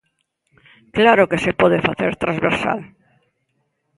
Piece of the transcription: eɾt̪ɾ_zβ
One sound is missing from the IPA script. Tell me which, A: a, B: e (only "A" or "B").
A